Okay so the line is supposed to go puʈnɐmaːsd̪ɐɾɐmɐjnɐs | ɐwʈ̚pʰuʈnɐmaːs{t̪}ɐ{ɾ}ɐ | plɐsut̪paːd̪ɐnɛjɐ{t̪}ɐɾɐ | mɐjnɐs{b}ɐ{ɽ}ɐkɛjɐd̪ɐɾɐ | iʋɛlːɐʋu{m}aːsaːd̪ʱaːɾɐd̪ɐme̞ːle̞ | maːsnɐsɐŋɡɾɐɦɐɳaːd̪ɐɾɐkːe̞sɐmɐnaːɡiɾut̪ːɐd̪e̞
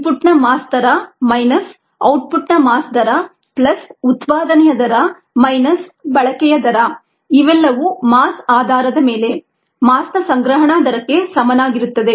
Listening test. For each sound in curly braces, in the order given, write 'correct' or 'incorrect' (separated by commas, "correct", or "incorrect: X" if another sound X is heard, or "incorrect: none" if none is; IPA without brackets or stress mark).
incorrect: d̪, correct, incorrect: d̪, correct, incorrect: ɭ, correct